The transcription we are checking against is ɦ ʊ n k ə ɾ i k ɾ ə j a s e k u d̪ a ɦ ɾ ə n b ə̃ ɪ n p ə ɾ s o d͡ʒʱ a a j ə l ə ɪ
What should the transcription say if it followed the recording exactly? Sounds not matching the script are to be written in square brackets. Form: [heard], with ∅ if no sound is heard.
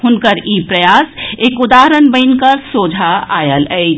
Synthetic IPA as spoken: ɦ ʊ n k ə ɾ i [p] ɾ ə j a s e k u d̪ a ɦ ɾ ə n b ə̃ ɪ n [k] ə ɾ s o d͡ʒʱ a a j ə l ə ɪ